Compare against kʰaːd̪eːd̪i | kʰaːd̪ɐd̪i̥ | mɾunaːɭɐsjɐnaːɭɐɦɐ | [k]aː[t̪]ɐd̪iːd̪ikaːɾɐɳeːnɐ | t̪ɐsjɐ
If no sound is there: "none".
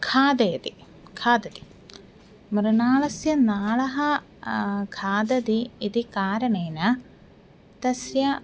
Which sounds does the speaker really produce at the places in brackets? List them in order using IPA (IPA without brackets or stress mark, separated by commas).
kʰ, d̪